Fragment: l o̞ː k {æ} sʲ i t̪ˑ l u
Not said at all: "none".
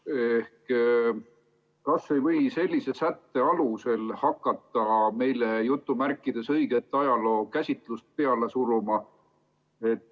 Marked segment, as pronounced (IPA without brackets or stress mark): æ